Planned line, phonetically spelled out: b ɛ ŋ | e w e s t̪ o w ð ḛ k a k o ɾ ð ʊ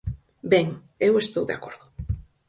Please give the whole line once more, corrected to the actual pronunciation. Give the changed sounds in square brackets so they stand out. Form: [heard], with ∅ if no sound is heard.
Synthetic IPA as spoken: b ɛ ŋ | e w e s t̪ o w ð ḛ [∅] a k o ɾ ð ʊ